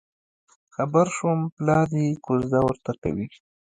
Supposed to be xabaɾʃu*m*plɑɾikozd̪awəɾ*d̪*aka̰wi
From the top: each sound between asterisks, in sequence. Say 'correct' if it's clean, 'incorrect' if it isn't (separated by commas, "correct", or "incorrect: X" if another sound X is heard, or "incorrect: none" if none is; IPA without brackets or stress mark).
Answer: correct, incorrect: t̪